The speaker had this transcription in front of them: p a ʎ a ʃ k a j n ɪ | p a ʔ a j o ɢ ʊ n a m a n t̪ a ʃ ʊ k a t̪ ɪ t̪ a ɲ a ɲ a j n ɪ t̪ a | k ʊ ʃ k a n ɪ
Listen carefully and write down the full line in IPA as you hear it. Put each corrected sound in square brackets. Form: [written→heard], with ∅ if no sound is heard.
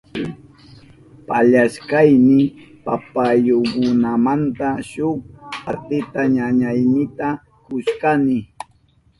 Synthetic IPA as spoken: p a ʎ a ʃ k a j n ɪ | p a [ʔ→p] a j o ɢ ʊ n a m a n t̪ a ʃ ʊ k a t̪ ɪ t̪ a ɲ a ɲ a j n ɪ t̪ a | k ʊ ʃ k a n ɪ